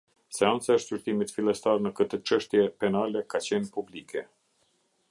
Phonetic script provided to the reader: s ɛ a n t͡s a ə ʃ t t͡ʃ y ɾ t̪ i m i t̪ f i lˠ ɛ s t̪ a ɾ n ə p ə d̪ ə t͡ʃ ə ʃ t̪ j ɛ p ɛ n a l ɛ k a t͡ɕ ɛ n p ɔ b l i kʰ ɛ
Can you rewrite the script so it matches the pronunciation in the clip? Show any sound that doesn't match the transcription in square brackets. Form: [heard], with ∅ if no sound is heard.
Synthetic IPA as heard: s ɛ a n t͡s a ə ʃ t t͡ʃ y ɾ t̪ i m i t̪ f i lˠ ɛ s t̪ a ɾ n ə [k] ə [t̪] ə t͡ʃ ə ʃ t̪ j ɛ p ɛ n a l ɛ k a t͡ɕ ɛ n p [u] b l i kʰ ɛ